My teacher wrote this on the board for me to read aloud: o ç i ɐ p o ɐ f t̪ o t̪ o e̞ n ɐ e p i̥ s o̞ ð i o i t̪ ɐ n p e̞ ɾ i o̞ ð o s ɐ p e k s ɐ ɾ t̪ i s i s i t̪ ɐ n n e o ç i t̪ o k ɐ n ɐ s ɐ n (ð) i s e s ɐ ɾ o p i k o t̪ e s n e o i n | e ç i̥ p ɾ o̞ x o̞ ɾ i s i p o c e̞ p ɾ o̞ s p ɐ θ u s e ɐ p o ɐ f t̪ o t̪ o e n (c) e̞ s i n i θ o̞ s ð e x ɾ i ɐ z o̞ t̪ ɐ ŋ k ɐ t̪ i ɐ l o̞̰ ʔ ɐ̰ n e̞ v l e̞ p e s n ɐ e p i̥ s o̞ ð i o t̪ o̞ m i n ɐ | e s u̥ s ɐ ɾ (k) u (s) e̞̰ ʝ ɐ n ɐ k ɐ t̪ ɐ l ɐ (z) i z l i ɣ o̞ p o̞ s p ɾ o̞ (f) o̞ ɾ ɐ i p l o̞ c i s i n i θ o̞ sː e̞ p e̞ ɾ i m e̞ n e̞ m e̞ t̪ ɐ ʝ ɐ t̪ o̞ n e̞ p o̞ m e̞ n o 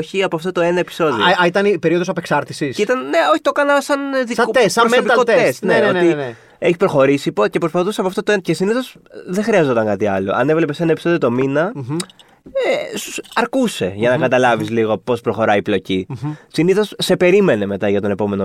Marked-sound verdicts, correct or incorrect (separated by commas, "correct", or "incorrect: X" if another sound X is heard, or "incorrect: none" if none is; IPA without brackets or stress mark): correct, correct, correct, correct, incorrect: v, incorrect: x